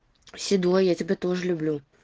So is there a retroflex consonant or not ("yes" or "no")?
yes